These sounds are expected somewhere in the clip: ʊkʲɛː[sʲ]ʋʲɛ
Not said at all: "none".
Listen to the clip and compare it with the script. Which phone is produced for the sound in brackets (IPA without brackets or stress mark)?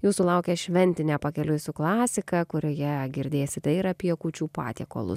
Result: ʃʲ